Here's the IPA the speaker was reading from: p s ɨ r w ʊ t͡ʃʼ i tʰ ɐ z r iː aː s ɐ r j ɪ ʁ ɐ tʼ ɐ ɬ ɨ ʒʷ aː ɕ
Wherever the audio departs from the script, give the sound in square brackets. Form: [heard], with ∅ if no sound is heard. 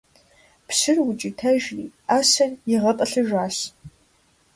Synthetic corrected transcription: p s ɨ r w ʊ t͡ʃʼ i tʰ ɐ [ʒ] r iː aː s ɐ r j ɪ ʁ ɐ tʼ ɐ ɬ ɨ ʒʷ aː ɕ